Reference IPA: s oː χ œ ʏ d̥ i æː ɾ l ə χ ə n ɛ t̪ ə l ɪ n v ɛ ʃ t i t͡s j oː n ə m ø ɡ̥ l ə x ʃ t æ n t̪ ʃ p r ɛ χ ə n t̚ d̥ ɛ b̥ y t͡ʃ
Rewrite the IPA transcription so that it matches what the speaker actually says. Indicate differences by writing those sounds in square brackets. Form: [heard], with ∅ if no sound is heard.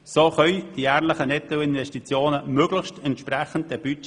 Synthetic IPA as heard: s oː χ œ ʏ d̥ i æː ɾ l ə χ ə n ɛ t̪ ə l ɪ n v ɛ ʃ t i t͡s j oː n ə m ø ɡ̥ l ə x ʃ t [ɛ] n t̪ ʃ p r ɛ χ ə n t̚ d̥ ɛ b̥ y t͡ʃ